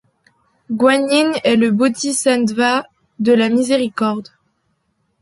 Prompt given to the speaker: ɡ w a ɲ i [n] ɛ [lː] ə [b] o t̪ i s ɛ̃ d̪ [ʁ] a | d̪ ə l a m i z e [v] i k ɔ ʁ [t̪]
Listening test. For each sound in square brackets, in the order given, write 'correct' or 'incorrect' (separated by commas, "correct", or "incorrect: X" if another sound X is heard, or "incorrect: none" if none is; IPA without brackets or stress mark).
correct, incorrect: l, correct, incorrect: v, incorrect: ʁ, incorrect: d̪